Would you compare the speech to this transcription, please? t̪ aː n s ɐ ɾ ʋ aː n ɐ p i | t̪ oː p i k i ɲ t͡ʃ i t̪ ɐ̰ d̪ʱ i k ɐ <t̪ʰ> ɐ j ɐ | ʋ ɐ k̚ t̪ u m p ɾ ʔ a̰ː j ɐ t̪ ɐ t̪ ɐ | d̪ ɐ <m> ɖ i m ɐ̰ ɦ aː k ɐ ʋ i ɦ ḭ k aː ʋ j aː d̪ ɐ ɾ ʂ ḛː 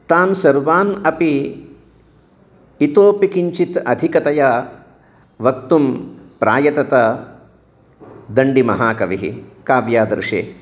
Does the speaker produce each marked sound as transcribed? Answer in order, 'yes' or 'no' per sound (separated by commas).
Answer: no, no